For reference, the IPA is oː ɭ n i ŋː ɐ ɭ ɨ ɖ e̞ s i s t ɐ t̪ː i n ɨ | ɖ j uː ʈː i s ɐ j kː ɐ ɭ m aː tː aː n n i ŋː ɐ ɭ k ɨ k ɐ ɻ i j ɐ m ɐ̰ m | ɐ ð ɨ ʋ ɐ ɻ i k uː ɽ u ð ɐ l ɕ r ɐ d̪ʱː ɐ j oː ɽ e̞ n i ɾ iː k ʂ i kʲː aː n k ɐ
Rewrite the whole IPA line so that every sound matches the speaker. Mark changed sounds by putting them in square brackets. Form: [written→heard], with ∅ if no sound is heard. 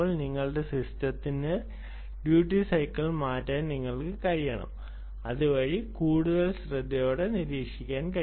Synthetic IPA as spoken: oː ɭ n i ŋː ɐ ɭ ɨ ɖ e̞ s i s t ɐ t̪ː i n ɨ | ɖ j uː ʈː i s ɐ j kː ɐ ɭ m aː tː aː n n i ŋː ɐ ɭ k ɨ k ɐ ɻ i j ɐ [m→ɳ] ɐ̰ m | ɐ ð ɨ ʋ ɐ ɻ i k uː ɽ u ð ɐ l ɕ r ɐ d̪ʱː ɐ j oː ɽ e̞ n i ɾ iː k ʂ i kʲː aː n k ɐ